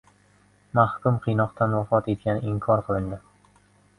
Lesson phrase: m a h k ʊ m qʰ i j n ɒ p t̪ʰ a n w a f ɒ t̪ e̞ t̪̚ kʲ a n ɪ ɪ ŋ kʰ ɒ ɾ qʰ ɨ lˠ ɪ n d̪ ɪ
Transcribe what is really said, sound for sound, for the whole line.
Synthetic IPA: m a h k ʊ m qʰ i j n ɒ q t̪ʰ a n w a f ɒ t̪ e̞ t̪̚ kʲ a n ɪ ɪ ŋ kʰ ɒ ɾ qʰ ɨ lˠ ɪ n d̪ ɪ